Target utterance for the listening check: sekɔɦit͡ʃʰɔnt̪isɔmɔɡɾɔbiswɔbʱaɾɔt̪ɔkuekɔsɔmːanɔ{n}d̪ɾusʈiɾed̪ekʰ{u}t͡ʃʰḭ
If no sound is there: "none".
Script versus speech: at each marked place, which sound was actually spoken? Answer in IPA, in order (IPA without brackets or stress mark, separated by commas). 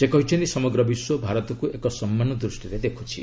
none, u